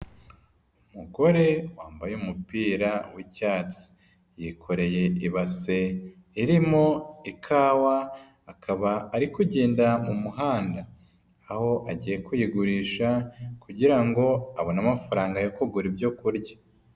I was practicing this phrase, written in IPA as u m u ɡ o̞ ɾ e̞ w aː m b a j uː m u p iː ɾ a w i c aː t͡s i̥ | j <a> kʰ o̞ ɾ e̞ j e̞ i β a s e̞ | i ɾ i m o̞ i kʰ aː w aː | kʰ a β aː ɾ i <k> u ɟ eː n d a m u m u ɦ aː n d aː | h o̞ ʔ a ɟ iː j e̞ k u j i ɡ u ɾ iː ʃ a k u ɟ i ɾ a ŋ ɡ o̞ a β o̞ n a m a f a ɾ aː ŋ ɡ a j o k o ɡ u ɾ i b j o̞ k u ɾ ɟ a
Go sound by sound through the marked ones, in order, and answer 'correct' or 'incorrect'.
incorrect: i, correct

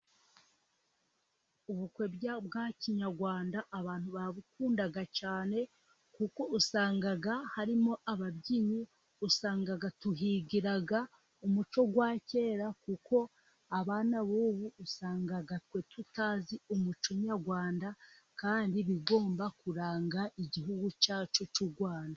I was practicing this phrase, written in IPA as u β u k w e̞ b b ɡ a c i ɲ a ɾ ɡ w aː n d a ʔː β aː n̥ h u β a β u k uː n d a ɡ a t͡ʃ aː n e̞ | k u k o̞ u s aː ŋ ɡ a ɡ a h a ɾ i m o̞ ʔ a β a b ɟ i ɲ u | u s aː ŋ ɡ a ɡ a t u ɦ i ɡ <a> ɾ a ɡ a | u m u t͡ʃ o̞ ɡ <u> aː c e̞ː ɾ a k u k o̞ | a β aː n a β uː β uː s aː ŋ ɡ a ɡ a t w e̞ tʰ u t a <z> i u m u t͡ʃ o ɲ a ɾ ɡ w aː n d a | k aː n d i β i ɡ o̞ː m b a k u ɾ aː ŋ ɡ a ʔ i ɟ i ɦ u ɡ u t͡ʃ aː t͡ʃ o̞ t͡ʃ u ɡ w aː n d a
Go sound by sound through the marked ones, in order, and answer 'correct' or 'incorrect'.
incorrect: i, incorrect: w, correct

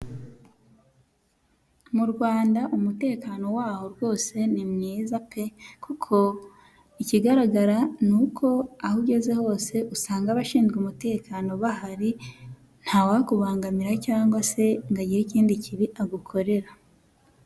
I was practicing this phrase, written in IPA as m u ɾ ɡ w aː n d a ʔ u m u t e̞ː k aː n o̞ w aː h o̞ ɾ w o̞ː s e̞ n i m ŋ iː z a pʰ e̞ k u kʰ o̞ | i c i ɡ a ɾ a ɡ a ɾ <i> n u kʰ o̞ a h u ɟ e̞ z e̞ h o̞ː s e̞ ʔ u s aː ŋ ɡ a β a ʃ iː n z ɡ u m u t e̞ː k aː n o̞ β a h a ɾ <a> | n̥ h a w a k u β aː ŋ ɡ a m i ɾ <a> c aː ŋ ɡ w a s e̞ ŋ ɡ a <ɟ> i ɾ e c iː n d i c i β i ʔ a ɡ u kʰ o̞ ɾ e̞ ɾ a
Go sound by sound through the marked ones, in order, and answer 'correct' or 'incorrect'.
incorrect: a, incorrect: i, correct, correct

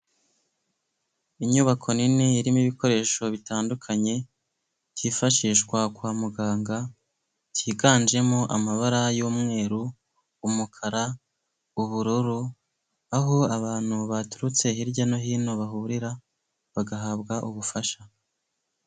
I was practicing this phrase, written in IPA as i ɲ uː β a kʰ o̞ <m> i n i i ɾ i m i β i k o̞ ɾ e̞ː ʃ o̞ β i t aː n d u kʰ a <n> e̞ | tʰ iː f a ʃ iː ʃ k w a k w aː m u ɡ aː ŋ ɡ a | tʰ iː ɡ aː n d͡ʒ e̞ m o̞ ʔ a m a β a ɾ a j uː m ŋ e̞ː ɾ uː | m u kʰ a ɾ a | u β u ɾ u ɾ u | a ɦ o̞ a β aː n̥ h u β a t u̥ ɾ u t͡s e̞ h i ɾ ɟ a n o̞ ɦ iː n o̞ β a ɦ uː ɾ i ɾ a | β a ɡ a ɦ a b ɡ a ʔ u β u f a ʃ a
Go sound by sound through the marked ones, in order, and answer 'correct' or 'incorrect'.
incorrect: n, incorrect: ɲ

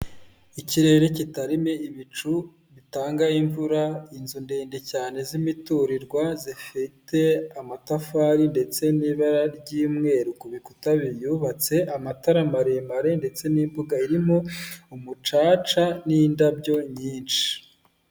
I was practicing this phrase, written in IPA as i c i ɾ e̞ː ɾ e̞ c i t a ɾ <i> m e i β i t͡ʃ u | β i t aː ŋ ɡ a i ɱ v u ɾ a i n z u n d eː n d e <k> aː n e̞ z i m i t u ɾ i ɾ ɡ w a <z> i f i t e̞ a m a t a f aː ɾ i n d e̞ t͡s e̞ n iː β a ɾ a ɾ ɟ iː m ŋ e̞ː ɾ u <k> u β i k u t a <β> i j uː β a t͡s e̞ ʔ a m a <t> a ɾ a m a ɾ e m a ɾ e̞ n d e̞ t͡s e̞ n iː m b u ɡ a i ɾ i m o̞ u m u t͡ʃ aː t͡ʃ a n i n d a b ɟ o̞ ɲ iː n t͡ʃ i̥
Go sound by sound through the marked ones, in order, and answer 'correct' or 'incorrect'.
correct, incorrect: c, correct, correct, correct, correct

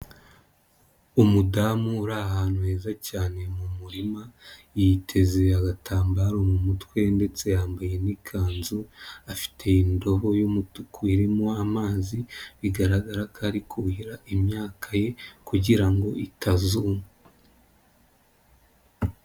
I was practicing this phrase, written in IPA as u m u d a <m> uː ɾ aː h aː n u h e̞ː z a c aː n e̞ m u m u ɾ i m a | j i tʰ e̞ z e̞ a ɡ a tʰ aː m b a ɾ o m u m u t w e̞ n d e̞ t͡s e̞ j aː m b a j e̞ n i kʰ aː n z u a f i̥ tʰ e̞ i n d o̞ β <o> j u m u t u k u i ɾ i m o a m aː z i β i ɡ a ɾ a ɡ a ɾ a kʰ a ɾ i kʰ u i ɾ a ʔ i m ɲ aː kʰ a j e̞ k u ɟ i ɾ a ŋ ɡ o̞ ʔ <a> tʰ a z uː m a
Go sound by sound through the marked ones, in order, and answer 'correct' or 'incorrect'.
correct, correct, incorrect: i

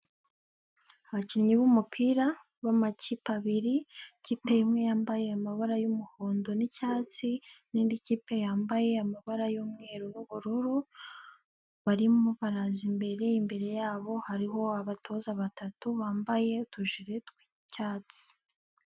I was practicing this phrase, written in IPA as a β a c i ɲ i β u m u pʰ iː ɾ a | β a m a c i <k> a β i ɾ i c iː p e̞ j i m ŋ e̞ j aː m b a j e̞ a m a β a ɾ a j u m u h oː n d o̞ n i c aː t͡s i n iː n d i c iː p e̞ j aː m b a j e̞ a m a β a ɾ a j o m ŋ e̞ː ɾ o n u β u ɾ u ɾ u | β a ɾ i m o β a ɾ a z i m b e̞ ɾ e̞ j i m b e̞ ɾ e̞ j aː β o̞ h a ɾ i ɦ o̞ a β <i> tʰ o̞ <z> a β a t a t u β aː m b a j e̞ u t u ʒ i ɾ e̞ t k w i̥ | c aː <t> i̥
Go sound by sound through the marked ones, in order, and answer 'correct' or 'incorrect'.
incorrect: p, incorrect: a, correct, incorrect: t͡s

